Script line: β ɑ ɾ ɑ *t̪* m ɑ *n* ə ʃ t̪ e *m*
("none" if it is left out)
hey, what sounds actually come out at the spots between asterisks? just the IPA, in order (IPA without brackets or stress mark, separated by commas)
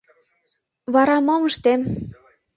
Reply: none, m, m